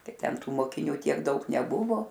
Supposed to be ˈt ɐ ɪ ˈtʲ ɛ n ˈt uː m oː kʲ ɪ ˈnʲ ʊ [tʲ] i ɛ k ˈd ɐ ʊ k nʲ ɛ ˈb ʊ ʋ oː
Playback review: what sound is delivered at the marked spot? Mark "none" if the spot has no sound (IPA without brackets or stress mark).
tʲ